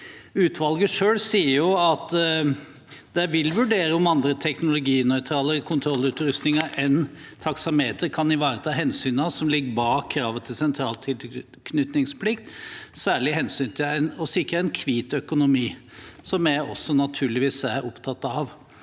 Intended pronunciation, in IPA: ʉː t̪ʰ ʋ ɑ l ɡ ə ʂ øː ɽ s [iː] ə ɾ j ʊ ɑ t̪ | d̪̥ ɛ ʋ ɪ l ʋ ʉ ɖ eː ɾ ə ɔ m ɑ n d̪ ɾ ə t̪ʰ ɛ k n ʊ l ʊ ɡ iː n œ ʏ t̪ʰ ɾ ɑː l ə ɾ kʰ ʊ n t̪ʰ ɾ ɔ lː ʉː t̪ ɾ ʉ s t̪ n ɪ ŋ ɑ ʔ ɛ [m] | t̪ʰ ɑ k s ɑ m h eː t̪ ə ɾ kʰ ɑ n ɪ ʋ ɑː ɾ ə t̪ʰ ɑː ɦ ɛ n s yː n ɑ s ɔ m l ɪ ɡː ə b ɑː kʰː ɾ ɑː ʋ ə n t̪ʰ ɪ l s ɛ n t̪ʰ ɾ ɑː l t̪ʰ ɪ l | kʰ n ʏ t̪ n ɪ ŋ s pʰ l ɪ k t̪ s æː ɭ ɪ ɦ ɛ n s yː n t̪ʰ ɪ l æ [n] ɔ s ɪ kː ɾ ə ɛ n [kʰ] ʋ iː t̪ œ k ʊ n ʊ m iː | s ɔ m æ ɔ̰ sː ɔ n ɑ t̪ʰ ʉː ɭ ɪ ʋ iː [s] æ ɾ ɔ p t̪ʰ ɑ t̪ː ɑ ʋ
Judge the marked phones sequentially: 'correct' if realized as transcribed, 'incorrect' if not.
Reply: correct, incorrect: n, correct, correct, correct

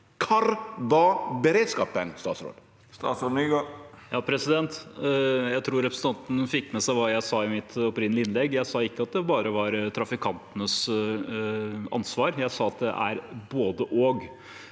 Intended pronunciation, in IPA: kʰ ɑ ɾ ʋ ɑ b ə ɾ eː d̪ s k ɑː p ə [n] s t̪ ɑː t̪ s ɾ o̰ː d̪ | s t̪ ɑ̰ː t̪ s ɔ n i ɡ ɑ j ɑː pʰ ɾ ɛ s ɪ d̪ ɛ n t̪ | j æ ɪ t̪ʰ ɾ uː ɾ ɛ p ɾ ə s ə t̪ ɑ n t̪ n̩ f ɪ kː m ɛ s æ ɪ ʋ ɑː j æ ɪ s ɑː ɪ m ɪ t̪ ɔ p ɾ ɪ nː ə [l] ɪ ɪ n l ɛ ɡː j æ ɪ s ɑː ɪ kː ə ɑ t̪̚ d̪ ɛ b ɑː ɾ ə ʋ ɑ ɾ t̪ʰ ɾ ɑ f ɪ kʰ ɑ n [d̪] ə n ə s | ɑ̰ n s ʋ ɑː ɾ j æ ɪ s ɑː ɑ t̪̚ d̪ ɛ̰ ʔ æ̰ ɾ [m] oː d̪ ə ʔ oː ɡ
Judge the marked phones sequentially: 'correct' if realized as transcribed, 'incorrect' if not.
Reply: correct, correct, incorrect: t̪, incorrect: b

